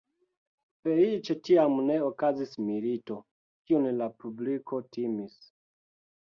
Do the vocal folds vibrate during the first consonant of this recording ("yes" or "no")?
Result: no